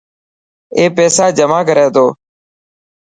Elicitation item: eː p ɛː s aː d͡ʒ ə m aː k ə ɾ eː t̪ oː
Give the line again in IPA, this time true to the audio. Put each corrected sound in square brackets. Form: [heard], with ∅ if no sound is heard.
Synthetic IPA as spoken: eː p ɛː s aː d͡ʒ ə m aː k ə ɾ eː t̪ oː